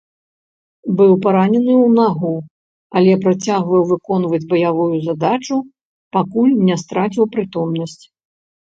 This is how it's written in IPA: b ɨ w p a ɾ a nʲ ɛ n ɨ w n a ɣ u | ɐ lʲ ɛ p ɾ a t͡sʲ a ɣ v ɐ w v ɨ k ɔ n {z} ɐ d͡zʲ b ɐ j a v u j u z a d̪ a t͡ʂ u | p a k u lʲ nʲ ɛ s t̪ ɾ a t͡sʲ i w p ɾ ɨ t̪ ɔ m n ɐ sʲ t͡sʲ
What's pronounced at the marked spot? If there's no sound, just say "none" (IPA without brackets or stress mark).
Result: v